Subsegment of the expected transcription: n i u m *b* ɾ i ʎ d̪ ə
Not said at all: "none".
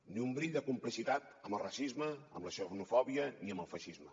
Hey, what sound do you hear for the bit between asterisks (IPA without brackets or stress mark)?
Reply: b